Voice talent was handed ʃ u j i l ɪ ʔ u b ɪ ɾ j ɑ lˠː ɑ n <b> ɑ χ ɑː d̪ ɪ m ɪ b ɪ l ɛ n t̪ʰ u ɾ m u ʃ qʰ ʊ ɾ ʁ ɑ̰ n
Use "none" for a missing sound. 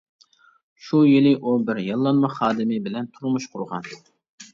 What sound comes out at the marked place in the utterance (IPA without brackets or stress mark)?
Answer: m